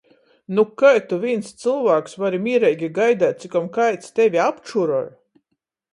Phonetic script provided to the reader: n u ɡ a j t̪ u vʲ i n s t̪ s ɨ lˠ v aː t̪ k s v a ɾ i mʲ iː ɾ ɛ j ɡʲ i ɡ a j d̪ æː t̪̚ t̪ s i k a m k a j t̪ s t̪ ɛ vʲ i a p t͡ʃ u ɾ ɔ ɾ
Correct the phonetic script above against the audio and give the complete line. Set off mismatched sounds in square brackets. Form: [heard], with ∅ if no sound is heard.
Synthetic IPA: n u [k] a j t̪ u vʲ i n s t̪ s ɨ lˠ v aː [∅] k s v a ɾ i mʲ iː ɾ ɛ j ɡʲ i ɡ a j d̪ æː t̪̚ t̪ s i k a m k a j t̪ s t̪ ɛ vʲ i a p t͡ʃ u ɾ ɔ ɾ